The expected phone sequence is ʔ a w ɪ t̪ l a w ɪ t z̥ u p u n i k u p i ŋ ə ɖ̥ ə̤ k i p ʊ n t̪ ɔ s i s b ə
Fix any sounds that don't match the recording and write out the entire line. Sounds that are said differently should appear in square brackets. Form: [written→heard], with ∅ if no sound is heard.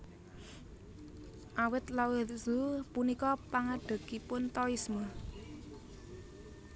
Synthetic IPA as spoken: ʔ a w ɪ t̪ l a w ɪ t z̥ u p u n i k [u→ɔ] p [i→a] ŋ [ə→a] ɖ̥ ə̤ k i p ʊ n t̪ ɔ [s→∅] i s [b→m] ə